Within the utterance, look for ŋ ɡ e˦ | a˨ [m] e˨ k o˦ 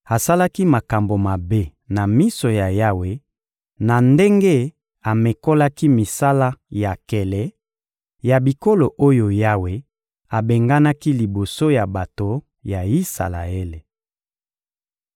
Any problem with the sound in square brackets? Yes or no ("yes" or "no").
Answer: no